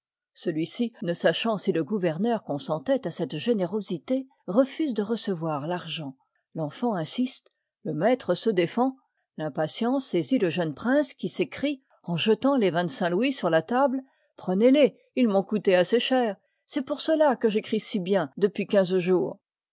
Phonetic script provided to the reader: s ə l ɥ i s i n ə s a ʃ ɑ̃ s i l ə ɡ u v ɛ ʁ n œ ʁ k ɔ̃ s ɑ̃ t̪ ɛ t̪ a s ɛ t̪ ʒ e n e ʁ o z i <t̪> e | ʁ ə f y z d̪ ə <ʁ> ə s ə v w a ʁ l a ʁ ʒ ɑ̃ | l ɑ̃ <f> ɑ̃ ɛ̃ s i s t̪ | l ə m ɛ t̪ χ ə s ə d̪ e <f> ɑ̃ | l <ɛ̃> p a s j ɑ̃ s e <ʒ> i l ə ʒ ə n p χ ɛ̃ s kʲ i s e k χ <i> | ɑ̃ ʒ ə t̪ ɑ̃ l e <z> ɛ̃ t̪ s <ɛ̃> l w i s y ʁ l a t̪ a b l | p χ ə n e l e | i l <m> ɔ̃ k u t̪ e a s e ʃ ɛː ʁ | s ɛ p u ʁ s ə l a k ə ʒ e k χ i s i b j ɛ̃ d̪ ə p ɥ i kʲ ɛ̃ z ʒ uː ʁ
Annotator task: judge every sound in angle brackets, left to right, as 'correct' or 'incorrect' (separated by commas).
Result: correct, correct, correct, correct, correct, incorrect, correct, incorrect, correct, correct